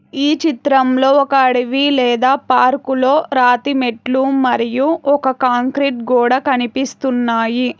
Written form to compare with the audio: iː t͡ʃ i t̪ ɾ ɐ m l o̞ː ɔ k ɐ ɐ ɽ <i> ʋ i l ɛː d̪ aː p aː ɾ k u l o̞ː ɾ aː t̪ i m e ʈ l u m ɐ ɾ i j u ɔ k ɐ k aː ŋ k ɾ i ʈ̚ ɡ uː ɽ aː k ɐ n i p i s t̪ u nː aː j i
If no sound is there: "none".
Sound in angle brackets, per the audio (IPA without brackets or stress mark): i